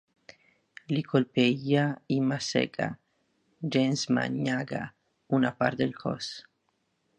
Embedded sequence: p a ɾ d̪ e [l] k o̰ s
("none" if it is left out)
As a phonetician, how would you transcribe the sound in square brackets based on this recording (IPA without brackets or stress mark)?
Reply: l